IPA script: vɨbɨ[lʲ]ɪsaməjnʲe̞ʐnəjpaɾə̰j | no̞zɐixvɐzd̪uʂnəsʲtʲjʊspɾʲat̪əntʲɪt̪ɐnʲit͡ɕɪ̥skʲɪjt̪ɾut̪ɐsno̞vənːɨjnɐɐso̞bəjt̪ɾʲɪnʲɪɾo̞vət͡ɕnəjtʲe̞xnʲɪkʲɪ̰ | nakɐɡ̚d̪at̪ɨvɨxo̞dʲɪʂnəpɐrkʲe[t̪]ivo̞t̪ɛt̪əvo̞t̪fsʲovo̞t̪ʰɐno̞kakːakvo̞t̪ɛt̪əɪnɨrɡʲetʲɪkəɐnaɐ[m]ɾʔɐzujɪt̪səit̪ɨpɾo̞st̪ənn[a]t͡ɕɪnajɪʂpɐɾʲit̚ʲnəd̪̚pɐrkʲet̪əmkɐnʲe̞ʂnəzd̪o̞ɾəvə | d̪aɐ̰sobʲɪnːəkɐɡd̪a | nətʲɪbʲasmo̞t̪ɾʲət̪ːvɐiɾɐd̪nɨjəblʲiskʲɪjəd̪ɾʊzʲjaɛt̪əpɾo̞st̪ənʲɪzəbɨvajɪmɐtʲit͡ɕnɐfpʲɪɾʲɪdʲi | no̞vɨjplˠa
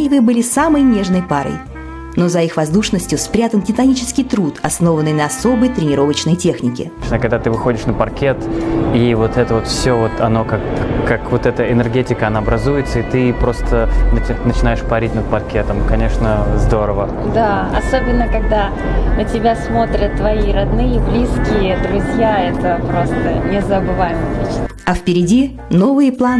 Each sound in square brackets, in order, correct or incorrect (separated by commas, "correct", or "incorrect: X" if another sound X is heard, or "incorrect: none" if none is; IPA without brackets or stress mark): correct, correct, incorrect: b, incorrect: ə